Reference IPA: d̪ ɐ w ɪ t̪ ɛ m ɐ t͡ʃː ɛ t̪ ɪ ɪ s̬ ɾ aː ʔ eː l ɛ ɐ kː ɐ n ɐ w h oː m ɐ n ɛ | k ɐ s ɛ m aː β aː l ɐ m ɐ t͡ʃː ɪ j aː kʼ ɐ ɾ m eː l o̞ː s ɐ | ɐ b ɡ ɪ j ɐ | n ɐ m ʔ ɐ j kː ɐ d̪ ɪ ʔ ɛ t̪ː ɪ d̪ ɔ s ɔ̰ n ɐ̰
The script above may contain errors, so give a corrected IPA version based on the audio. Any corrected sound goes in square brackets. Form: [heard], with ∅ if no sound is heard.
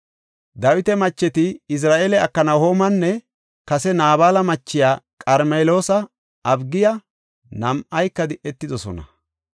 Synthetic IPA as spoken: d̪ ɐ w ɪ t̪ ɛ m ɐ t͡ʃː ɛ t̪ ɪ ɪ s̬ ɾ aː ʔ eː l ɛ ɐ kː ɐ n ɐ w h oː m ɐ [nː] ɛ | k ɐ s ɛ [n] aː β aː l ɐ m ɐ t͡ʃː ɪ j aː kʼ ɐ ɾ m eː l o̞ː s ɐ | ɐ b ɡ ɪ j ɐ | n ɐ m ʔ ɐ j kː ɐ d̪ ɪ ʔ ɛ t̪ː ɪ d̪ ɔ s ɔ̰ n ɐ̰